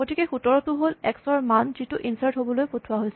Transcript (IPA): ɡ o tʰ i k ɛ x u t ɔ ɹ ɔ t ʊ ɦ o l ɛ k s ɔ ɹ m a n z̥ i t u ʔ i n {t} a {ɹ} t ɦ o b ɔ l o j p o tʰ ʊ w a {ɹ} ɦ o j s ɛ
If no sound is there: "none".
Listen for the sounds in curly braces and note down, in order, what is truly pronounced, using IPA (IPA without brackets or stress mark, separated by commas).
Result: s, ɹ, none